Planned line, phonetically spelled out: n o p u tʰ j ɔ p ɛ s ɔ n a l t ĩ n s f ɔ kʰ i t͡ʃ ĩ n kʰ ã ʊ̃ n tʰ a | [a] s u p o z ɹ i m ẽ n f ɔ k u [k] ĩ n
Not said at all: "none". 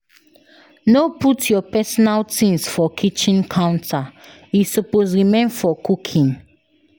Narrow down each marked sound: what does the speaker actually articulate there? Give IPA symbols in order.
i, kʰ

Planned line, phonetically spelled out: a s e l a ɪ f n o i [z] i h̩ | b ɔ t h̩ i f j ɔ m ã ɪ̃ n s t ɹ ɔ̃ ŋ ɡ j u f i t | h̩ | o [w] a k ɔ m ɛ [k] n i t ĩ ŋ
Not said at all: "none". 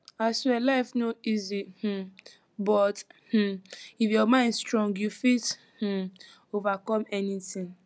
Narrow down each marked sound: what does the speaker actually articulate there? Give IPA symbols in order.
z, v, none

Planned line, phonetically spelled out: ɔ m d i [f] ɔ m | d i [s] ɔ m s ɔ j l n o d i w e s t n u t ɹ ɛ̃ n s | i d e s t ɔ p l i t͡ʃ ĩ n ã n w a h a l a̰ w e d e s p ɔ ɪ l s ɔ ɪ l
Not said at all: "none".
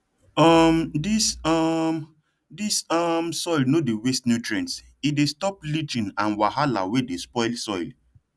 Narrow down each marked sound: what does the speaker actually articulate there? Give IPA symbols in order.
s, s

